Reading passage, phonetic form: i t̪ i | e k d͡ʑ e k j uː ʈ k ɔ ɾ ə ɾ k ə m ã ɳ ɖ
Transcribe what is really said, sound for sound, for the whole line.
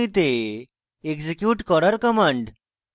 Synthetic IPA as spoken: i t̪ e | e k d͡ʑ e k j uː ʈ k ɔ ɾ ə ɾ k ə m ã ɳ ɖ